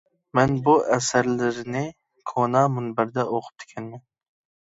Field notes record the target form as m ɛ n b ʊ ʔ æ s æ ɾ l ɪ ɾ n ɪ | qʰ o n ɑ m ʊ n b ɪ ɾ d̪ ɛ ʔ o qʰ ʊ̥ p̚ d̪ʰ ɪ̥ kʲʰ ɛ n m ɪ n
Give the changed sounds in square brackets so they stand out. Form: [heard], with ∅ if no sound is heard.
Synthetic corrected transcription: m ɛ n b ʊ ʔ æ s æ ɾ l ɪ ɾ n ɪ | [kʰ] o n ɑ m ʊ n b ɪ ɾ d̪ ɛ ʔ o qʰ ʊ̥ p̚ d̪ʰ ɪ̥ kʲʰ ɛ n m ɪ n